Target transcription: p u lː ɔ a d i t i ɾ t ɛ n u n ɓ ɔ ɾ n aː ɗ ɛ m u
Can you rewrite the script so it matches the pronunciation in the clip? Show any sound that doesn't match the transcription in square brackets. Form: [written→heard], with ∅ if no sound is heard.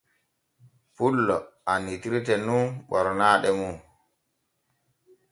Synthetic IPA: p u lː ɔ a [d→n] i t i ɾ t ɛ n u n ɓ ɔ ɾ n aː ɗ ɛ m u